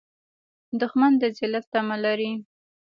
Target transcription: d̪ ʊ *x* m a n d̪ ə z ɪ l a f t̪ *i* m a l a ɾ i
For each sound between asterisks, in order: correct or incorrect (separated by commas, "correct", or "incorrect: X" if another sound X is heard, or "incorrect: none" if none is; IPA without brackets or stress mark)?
correct, incorrect: a